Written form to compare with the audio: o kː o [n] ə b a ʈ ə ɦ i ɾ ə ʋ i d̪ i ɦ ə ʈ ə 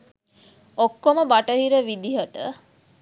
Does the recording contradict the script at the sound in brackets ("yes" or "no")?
yes